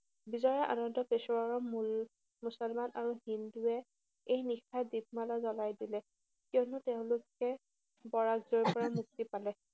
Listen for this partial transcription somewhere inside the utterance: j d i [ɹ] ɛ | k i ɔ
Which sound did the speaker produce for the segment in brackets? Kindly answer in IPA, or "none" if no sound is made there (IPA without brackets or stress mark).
l